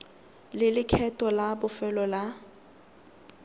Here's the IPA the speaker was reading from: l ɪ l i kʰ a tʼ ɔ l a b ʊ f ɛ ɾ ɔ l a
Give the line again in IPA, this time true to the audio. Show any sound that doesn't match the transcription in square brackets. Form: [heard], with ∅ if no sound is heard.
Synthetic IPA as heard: l ɪ l [ɪ] kʰ [ɛ] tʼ ɔ l a b ʊ f ɛ [l] ɔ l a